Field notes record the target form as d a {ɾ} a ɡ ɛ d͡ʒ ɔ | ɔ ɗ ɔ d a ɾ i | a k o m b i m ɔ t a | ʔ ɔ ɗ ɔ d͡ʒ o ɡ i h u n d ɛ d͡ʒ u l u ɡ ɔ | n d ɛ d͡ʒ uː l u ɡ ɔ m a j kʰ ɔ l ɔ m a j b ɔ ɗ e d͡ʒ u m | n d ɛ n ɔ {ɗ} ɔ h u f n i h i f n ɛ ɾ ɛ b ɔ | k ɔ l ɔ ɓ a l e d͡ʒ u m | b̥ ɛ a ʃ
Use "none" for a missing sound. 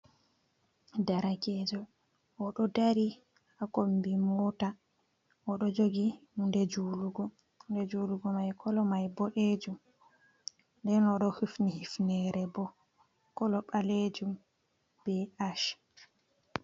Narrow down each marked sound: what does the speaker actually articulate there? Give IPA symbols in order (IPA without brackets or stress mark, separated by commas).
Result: ɾ, ɗ